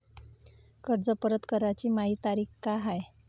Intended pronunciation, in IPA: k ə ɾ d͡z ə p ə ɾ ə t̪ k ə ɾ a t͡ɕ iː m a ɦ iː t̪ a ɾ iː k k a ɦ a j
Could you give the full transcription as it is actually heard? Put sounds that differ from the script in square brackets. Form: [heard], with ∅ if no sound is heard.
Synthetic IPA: k ə ɾ d͡z ə p ə ɾ ə t̪ k ə ɾ a t͡ɕ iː m a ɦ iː t̪ a ɾ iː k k a ɦ a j